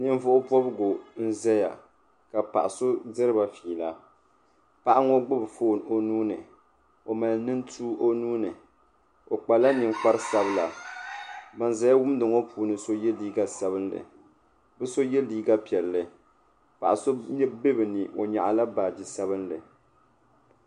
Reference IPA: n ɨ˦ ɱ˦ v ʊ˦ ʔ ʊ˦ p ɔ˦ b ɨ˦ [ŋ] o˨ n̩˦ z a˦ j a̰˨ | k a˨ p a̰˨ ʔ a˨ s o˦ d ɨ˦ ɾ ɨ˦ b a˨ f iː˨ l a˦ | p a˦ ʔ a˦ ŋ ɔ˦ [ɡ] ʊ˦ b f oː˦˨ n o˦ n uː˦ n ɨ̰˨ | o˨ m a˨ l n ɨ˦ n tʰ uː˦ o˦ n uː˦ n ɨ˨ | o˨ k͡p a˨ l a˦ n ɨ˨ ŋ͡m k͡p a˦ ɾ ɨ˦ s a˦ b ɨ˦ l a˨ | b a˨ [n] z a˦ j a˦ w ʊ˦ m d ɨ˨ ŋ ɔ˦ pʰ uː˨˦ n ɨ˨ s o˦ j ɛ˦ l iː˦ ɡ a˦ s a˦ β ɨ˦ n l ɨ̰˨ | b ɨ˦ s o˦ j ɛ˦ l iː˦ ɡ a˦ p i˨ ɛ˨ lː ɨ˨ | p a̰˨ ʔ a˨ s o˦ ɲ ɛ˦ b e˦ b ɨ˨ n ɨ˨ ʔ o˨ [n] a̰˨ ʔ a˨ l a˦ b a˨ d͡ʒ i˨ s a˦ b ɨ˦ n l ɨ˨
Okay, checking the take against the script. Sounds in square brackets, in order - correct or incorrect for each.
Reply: incorrect: ɡ, incorrect: ɡ͡b, correct, incorrect: ɲ

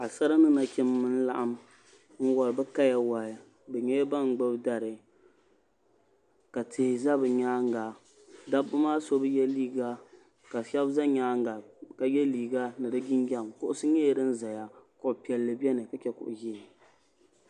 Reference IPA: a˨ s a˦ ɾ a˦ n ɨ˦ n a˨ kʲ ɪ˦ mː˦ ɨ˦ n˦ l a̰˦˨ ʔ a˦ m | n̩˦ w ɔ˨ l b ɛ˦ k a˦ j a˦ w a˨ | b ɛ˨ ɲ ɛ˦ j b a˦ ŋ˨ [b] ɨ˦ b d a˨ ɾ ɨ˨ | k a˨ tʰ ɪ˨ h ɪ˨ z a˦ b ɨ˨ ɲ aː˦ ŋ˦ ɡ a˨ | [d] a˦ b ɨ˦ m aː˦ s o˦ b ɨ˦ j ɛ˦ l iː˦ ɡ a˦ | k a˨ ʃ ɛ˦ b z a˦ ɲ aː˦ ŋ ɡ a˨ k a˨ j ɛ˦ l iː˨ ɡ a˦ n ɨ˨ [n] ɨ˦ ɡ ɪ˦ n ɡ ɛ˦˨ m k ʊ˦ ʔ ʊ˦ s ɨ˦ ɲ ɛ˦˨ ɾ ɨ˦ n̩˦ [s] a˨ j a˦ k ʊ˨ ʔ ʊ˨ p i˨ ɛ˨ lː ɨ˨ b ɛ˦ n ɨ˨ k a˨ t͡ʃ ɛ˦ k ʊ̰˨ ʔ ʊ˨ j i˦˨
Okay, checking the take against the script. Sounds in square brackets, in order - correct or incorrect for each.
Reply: incorrect: ɡ͡b, correct, incorrect: d, incorrect: z

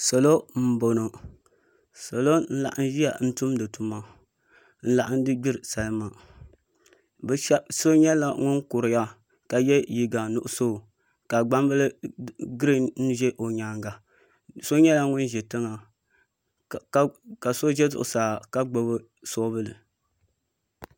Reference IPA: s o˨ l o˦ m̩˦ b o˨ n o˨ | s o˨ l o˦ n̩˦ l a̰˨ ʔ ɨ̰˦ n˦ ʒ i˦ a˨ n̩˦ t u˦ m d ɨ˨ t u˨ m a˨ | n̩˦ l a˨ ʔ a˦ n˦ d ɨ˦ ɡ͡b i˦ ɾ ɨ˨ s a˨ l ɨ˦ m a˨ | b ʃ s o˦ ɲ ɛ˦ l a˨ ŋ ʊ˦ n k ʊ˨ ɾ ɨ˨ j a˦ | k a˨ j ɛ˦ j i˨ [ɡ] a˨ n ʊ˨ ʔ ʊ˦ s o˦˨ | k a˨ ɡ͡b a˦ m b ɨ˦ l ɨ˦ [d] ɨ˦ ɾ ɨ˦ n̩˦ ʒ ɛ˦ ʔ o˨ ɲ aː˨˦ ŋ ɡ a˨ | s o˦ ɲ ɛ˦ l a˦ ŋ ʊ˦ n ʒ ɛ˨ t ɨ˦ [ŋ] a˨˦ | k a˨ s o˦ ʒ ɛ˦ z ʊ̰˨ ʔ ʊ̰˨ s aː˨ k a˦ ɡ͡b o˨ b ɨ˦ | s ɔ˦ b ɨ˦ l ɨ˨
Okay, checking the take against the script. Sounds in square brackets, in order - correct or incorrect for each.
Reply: correct, incorrect: ɡ, correct

